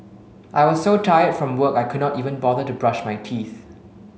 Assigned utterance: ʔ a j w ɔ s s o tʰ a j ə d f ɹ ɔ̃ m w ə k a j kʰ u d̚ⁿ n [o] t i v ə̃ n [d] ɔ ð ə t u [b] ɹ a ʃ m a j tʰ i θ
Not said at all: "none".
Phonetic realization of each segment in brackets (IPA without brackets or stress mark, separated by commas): ɔ, b, b